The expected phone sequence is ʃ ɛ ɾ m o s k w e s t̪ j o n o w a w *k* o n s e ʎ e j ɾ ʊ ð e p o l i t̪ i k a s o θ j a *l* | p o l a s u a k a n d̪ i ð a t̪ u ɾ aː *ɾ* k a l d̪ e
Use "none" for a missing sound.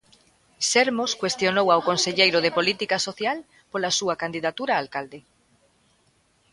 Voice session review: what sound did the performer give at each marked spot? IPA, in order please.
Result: k, l, l

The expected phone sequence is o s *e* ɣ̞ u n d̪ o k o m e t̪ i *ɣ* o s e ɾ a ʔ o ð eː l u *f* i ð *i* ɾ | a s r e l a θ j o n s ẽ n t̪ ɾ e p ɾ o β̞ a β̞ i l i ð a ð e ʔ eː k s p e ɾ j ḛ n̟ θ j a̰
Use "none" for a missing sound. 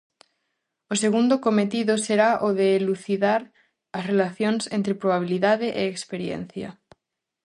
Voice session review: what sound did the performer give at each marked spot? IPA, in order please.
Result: e, ð, θ, a

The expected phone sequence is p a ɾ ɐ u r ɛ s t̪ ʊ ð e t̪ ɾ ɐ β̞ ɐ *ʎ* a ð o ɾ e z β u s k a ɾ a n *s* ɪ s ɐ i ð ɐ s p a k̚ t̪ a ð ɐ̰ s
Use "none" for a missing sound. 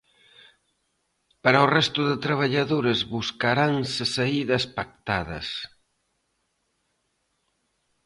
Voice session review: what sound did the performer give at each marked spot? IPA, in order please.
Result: ʎ, s

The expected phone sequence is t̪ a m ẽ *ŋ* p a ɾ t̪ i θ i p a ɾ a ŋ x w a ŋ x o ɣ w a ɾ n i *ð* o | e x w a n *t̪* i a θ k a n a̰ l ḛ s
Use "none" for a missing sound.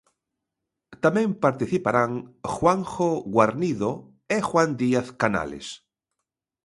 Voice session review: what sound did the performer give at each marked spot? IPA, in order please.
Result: m, ð, d̪

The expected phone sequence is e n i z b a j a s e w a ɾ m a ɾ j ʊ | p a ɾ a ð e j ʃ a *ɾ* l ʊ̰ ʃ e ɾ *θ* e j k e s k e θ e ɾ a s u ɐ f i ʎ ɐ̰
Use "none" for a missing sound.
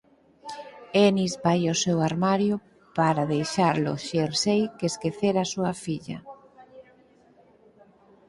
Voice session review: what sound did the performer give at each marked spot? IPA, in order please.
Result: ɾ, s

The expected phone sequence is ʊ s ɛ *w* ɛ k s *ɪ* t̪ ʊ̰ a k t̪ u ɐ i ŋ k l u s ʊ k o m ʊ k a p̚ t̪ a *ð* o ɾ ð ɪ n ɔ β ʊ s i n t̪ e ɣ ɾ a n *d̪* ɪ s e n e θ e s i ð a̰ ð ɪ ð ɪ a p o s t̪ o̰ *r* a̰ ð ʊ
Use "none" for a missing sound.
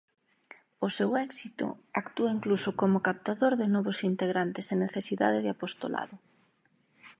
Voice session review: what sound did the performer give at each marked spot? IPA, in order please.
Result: w, i, ð, t̪, l

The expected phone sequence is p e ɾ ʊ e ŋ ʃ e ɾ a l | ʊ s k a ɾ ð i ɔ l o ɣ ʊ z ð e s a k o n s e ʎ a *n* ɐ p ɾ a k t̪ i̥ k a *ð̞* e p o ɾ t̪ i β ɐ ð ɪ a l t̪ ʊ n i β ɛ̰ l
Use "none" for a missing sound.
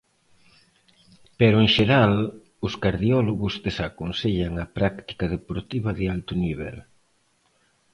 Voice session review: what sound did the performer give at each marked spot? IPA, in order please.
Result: ŋ, ð̞

